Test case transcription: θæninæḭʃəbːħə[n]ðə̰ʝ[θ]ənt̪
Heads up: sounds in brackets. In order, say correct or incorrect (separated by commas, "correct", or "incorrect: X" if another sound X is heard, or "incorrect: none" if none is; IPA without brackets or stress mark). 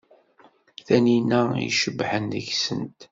correct, incorrect: s